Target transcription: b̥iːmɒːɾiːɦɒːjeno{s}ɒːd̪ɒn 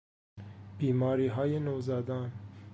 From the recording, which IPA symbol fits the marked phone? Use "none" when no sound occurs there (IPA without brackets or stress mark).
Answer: z